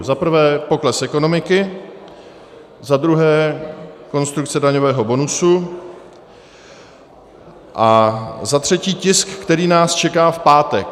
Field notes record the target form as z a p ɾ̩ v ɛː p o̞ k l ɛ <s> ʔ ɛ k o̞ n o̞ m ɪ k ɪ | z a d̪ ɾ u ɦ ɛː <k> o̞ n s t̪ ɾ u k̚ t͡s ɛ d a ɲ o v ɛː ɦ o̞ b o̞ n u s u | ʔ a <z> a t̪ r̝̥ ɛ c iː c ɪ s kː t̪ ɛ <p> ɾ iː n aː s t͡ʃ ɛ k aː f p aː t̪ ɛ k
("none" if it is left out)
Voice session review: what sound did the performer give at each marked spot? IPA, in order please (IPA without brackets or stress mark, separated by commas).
s, k, z, none